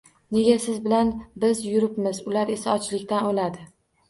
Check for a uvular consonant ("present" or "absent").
absent